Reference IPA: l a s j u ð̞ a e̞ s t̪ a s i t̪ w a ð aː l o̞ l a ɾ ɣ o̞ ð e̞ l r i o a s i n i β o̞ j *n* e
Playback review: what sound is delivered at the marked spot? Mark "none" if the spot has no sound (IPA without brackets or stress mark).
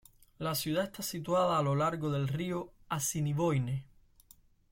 n